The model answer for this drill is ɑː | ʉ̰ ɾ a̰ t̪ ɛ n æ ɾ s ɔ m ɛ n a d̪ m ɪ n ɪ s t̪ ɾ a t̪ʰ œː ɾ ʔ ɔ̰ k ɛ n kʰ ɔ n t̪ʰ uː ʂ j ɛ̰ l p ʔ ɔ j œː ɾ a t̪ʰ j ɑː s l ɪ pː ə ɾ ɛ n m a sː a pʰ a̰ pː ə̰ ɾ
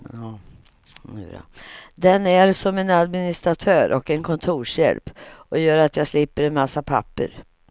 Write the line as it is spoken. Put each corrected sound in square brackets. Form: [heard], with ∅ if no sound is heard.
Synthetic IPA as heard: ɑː | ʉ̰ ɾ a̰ [d̪] ɛ n æ ɾ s ɔ m ɛ n a d̪ m ɪ n ɪ s t̪ ɾ a t̪ʰ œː ɾ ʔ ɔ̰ k ɛ n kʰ ɔ n t̪ʰ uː ʂ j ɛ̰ l p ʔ ɔ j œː ɾ a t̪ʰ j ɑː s l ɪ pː ə ɾ ɛ n m a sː a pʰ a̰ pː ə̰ ɾ